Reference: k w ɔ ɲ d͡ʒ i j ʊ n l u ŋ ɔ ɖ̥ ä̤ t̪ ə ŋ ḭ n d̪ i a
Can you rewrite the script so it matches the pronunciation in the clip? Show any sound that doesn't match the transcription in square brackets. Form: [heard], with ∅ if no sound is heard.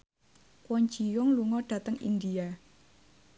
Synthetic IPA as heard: k w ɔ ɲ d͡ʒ i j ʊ [ŋ] l u ŋ ɔ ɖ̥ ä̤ t̪ ə ŋ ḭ n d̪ i a